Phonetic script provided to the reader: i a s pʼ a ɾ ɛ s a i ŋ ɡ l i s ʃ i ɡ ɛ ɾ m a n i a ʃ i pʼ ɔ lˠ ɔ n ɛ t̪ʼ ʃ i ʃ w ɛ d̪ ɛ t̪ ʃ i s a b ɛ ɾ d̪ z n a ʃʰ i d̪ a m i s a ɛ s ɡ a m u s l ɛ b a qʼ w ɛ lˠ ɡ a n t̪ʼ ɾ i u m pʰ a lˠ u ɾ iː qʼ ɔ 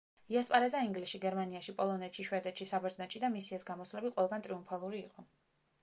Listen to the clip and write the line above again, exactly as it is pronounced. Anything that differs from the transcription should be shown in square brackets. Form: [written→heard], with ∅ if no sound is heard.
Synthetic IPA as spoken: i a s pʼ a ɾ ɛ [s→z] a i ŋ ɡ l i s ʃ i ɡ ɛ ɾ m a n i a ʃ i pʼ ɔ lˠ ɔ n ɛ [t̪ʼ→t̪] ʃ i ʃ w ɛ d̪ ɛ t̪ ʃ i s a b ɛ ɾ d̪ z n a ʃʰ i d̪ a m i s [a→i] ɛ s ɡ a m [u→ɔ] s l ɛ b [a→i] qʼ w ɛ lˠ ɡ a n t̪ʼ ɾ i u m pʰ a lˠ u ɾ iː qʼ ɔ